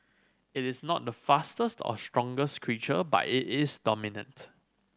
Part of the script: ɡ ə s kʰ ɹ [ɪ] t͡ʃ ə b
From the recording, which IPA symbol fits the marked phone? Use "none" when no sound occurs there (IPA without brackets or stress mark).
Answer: i